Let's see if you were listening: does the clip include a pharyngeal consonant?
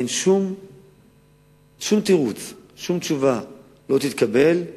no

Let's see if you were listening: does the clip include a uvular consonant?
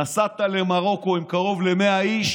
yes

